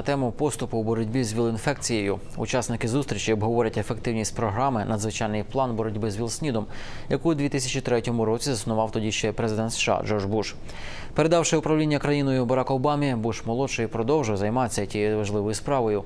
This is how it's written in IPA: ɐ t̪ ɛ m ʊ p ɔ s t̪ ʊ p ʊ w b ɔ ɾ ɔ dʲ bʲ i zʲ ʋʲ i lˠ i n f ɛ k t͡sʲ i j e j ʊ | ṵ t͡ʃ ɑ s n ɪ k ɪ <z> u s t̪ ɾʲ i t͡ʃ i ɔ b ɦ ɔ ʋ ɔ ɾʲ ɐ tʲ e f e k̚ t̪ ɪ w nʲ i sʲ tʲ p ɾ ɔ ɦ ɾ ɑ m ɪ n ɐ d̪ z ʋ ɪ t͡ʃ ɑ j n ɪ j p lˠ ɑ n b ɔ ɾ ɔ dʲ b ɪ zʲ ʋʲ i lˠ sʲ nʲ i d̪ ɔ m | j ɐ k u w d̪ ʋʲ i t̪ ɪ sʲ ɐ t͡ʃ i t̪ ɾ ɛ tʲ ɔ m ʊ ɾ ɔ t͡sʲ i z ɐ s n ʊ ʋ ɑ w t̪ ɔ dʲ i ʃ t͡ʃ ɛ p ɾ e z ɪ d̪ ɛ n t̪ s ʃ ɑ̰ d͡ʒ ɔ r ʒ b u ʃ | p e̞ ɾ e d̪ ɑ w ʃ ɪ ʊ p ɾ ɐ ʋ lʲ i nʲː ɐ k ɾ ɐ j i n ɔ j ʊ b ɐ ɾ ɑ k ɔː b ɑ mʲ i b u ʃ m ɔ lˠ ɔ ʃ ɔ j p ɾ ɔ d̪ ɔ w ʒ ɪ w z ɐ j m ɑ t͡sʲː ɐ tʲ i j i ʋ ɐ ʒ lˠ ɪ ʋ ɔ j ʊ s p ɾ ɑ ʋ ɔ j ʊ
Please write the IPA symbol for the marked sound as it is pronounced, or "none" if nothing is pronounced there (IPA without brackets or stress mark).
z